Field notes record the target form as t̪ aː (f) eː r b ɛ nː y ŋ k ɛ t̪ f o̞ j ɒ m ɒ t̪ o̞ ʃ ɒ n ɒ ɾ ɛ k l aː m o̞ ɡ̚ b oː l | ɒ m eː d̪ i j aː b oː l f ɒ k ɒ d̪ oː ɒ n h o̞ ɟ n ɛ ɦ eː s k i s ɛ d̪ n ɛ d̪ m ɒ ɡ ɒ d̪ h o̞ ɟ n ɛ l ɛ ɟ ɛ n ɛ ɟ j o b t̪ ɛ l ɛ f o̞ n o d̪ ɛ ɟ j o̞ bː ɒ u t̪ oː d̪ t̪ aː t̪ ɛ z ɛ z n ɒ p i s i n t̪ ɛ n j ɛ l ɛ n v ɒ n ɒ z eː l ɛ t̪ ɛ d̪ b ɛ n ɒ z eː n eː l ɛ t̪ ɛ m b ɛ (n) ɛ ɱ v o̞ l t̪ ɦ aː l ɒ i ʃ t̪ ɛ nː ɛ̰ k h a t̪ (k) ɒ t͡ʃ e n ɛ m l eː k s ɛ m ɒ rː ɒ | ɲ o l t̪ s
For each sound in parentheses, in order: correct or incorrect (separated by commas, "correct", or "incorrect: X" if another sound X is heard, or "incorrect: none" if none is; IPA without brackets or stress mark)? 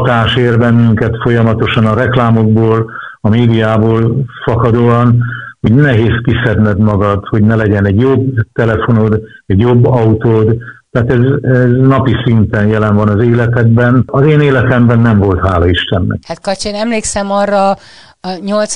incorrect: ʃ, incorrect: nː, correct